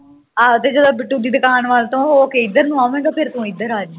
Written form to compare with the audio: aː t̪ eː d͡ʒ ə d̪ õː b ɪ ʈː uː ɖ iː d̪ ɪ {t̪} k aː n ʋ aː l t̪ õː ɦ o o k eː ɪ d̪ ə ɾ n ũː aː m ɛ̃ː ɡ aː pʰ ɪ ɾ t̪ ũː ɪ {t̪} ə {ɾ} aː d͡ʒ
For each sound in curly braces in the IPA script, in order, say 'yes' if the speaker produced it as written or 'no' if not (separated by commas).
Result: no, no, yes